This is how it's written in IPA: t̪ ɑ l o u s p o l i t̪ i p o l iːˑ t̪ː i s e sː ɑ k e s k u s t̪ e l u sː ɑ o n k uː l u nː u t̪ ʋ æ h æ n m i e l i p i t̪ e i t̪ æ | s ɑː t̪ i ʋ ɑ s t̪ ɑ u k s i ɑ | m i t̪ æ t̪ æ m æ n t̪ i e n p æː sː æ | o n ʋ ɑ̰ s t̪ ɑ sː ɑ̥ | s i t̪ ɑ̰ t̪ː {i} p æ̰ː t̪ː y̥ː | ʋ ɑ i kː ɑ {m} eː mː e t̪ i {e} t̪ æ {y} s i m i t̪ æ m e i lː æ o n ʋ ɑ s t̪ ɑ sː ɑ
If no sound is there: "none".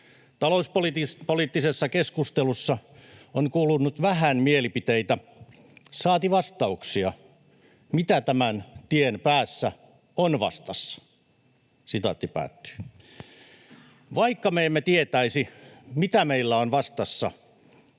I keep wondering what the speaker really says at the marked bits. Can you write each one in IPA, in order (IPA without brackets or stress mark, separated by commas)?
i, m, e, i